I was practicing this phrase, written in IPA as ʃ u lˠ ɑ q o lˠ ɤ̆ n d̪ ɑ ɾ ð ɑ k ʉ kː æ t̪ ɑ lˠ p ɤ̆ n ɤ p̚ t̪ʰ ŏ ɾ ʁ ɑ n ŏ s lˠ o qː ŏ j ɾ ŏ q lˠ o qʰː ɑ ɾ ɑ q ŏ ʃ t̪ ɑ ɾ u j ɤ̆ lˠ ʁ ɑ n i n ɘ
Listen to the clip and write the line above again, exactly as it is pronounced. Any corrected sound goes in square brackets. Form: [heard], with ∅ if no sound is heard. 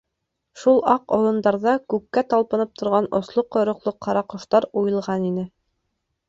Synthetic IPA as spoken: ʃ u lˠ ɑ q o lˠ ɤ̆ n d̪ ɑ ɾ ð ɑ k ʉ kː æ t̪ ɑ lˠ p ɤ̆ n ɤ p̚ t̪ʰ ŏ ɾ ʁ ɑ n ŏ s lˠ o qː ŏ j ɾ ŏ q lˠ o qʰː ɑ ɾ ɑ q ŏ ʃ t̪ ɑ ɾ u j ɤ̆ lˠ ʁ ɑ n i n ɘ